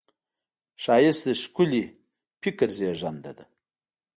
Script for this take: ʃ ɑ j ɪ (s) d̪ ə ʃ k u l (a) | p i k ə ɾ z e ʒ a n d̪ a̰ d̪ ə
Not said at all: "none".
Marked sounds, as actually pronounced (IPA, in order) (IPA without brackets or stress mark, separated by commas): s, i